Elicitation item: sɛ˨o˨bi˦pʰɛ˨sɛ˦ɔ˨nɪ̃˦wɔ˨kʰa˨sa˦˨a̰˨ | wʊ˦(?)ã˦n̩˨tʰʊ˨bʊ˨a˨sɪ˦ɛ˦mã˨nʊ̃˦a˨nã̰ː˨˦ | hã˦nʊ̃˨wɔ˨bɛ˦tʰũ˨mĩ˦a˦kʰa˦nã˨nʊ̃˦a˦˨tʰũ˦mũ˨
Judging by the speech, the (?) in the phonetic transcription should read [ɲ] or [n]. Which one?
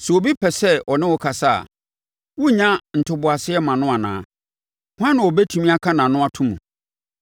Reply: ɲ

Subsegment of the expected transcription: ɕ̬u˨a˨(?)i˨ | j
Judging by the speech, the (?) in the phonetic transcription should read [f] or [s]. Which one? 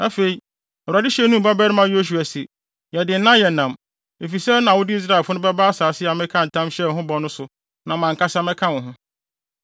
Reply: s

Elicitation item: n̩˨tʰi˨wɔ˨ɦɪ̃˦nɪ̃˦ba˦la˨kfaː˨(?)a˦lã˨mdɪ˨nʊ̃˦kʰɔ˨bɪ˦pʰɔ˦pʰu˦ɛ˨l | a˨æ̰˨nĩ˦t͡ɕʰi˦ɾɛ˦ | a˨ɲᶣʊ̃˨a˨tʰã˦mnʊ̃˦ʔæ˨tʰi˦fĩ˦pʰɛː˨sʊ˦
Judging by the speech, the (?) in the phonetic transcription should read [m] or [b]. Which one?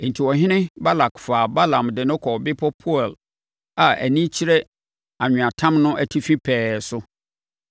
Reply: b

